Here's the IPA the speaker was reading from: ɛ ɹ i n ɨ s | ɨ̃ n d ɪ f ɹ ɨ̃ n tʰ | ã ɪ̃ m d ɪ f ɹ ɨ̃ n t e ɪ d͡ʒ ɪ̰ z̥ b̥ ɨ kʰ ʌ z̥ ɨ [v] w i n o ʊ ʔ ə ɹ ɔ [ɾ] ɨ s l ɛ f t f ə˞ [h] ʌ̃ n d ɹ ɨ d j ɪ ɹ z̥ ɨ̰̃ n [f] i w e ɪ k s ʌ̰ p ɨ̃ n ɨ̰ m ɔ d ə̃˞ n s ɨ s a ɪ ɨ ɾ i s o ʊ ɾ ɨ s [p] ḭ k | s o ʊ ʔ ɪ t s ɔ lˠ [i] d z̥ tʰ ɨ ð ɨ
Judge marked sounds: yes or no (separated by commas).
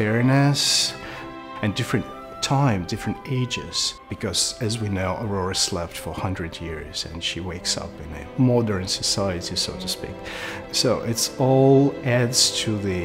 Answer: no, no, yes, no, yes, no